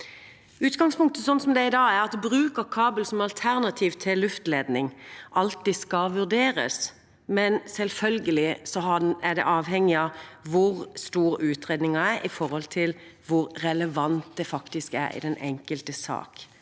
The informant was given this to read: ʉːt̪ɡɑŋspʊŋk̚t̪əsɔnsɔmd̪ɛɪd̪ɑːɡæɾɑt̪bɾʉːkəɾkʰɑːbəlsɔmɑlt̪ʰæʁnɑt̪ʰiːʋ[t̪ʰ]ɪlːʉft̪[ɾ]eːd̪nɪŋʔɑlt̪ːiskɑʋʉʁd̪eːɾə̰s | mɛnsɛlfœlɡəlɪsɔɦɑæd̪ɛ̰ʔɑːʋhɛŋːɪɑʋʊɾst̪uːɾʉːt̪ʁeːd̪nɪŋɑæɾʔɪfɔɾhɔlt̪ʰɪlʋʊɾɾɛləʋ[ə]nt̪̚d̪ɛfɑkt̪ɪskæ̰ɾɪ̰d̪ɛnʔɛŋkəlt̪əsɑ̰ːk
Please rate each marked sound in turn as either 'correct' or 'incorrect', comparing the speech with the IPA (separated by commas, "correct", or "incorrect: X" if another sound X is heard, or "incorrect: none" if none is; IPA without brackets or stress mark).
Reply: correct, incorrect: l, incorrect: ɑ